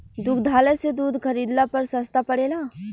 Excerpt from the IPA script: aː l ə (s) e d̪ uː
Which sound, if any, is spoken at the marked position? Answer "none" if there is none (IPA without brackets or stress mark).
s